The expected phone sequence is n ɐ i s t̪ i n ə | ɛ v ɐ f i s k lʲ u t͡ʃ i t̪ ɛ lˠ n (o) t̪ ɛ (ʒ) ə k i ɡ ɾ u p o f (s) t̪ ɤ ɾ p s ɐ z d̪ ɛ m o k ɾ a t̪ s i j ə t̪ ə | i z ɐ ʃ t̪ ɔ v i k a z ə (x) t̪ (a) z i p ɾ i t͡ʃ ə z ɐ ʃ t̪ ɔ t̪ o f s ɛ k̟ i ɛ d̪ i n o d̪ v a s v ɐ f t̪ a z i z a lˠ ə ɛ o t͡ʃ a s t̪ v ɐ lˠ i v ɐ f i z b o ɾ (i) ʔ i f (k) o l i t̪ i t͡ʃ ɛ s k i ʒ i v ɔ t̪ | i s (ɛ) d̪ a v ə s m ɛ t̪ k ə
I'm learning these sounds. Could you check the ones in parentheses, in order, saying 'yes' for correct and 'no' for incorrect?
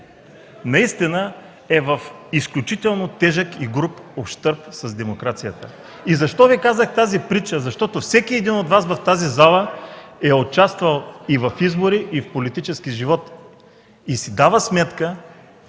yes, yes, no, yes, yes, yes, no, no

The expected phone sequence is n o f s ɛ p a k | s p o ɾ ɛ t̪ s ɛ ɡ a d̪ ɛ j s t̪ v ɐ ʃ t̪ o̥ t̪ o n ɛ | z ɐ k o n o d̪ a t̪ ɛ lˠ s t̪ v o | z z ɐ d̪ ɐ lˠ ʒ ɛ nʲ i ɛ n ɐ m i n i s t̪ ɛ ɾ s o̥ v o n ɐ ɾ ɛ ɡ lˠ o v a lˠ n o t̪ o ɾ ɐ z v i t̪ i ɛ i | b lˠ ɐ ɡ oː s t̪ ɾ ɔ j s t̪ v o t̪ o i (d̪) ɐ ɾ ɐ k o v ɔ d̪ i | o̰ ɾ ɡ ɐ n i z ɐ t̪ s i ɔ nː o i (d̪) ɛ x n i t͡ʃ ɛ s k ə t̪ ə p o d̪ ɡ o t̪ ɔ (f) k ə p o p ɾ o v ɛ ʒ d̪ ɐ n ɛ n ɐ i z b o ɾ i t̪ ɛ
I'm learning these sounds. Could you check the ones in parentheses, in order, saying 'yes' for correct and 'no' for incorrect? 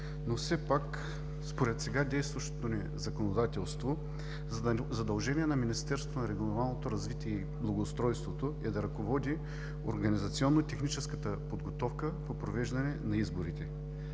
yes, no, yes

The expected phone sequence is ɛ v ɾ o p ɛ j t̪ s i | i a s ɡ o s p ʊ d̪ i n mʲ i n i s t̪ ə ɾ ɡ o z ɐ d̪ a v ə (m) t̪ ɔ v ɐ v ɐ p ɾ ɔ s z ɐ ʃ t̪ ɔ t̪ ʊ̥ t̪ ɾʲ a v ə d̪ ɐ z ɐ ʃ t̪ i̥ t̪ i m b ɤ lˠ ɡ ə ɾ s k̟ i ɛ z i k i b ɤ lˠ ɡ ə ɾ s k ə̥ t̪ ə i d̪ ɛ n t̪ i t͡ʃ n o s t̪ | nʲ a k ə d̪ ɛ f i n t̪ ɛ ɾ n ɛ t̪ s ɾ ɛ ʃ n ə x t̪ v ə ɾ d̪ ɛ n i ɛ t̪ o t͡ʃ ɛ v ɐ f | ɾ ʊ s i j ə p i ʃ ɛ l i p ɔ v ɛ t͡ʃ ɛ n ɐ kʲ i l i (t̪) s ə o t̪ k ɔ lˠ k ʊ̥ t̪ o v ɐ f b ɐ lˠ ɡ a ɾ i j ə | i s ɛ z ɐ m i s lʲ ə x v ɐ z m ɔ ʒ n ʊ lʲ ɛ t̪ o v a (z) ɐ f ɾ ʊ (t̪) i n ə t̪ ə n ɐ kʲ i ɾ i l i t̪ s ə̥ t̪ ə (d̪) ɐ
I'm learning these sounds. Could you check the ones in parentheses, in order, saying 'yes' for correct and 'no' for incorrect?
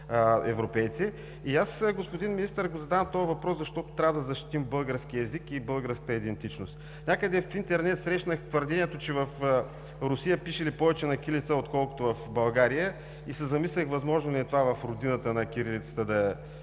yes, yes, no, no, yes

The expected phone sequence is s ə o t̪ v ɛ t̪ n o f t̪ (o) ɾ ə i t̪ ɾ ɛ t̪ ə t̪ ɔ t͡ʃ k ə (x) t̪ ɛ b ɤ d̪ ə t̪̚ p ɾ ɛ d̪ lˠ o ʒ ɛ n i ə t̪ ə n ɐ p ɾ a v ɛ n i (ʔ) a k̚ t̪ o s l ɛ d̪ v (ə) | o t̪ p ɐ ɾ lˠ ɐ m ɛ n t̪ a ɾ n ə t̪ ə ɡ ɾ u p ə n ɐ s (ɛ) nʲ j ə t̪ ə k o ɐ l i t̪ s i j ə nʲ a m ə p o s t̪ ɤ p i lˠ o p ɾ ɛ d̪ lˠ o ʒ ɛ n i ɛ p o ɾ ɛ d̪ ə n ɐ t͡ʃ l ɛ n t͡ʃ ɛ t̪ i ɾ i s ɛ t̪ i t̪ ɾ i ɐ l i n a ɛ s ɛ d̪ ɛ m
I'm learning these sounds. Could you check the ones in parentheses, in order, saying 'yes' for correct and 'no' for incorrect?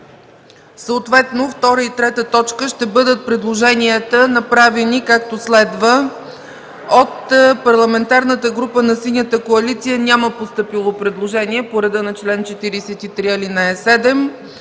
no, no, no, yes, no

